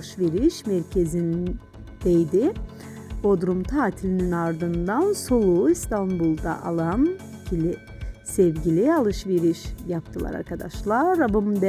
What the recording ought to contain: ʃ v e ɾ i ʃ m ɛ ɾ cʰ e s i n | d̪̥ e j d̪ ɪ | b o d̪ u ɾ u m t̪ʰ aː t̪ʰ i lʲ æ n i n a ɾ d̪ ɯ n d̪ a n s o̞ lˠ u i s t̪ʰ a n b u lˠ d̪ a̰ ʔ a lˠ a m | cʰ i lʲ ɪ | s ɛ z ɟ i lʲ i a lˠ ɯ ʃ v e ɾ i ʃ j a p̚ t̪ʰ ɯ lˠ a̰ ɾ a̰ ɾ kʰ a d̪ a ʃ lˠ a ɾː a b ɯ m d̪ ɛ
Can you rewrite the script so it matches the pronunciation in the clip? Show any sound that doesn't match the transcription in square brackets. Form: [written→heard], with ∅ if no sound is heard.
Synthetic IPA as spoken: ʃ v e ɾ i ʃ m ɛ ɾ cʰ e [s→z] i n | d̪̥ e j d̪ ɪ | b o d̪ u ɾ u m t̪ʰ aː t̪ʰ i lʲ [æ→i] n i n a ɾ d̪ ɯ n d̪ a n s o̞ lˠ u i s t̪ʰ a n b u lˠ d̪ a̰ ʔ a lˠ a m | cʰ i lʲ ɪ | s ɛ [z→v] ɟ i lʲ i a lˠ ɯ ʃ v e ɾ i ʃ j a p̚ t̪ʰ ɯ lˠ a̰ ɾ a̰ ɾ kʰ a d̪ a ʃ lˠ a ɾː a b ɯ m d̪ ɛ